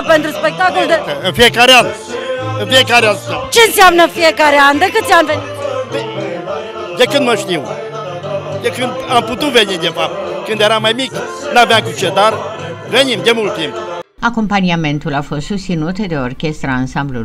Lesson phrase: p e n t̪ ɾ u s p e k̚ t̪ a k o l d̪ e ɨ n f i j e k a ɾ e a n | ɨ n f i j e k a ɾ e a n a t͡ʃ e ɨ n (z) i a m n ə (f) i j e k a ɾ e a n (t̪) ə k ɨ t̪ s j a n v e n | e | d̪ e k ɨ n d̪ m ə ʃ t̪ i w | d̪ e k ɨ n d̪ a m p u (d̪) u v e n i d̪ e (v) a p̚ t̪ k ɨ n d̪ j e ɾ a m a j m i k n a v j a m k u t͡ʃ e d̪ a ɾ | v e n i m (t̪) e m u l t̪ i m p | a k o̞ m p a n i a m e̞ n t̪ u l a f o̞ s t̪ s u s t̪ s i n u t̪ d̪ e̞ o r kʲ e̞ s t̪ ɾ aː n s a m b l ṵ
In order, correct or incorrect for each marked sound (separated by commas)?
incorrect, correct, incorrect, incorrect, incorrect, incorrect